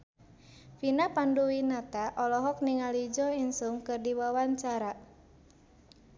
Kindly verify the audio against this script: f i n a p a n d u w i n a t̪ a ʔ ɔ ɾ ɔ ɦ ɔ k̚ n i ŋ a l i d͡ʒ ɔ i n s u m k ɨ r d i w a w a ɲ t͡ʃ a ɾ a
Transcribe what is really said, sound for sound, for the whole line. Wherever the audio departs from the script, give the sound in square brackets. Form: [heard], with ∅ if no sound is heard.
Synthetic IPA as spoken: f i n a p a n d u w i n a t̪ a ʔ ɔ [l] ɔ ɦ ɔ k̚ n i ŋ a l i d͡ʒ ɔ i n s u m k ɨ r d i w a w a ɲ t͡ʃ a ɾ a